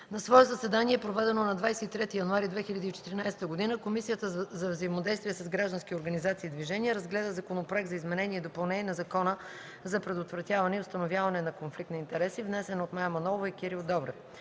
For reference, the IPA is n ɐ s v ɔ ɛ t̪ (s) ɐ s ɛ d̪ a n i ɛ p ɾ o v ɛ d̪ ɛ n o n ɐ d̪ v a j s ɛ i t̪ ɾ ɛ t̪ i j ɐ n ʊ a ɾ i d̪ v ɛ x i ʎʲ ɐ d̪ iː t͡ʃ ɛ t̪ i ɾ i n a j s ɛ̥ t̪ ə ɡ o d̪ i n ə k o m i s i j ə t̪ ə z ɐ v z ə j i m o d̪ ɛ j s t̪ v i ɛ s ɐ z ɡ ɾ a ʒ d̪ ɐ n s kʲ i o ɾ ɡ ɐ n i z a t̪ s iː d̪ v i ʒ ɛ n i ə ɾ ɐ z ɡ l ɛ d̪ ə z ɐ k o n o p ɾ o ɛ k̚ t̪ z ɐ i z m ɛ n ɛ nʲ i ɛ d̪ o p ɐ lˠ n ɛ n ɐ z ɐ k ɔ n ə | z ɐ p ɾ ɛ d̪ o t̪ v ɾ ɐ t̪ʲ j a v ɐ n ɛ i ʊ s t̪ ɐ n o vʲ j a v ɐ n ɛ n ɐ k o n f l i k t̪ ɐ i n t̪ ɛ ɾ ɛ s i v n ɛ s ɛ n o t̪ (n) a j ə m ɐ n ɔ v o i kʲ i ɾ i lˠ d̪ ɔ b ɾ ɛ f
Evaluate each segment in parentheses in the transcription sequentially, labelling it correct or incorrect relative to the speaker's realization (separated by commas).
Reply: incorrect, incorrect